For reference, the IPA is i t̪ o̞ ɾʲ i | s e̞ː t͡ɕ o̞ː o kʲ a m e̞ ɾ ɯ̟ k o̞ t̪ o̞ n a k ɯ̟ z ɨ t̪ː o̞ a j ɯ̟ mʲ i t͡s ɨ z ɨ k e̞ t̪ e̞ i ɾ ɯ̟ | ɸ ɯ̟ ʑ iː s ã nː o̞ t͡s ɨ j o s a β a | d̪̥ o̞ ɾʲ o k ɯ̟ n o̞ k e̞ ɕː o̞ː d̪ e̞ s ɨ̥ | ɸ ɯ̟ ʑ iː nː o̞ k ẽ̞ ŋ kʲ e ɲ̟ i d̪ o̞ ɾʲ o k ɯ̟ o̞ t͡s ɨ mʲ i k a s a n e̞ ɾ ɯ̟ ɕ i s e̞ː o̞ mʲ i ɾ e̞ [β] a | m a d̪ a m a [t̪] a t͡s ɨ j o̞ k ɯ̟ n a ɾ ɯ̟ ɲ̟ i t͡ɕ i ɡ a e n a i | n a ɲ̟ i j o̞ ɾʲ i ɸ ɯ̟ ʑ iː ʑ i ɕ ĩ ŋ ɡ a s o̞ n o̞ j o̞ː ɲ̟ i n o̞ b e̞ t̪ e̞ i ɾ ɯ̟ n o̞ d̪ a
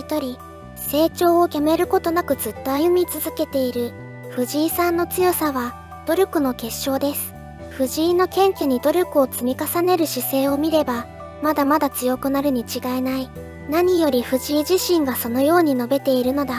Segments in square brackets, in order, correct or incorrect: incorrect: b, incorrect: d̪

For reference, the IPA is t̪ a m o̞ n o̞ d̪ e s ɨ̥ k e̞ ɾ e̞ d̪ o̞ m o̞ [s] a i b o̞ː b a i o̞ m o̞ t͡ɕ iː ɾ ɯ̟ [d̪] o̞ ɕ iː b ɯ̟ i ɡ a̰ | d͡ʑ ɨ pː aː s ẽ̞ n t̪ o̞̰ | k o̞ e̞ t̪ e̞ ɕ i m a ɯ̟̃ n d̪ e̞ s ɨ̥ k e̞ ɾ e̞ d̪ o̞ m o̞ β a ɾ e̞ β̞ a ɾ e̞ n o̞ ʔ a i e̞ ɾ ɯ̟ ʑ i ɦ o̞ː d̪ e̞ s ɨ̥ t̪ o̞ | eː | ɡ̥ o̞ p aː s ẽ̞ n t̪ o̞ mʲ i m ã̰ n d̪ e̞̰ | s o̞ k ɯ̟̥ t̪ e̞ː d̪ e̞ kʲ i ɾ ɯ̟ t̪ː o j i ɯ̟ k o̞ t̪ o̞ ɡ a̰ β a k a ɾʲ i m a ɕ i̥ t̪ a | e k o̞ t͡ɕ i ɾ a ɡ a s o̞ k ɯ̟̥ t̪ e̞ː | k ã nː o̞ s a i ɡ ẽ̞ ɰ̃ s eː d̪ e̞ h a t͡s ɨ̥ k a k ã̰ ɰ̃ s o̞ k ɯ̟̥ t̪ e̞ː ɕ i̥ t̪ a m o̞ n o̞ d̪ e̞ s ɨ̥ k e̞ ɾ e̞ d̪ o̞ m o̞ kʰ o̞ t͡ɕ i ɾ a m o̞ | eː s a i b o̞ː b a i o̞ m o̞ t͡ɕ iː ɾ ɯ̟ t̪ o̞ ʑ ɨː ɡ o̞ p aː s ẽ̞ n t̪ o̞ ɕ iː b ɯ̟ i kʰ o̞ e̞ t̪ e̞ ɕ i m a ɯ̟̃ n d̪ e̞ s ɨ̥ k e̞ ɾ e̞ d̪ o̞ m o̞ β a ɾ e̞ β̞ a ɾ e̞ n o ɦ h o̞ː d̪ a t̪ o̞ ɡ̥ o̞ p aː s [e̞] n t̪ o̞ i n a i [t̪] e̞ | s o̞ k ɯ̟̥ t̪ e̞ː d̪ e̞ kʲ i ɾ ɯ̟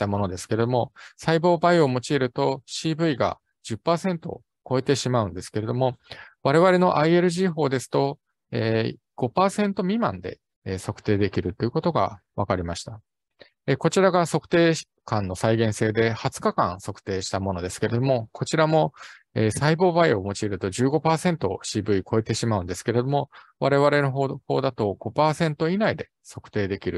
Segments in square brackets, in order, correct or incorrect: correct, incorrect: t̪, incorrect: ẽ̞, incorrect: d̪

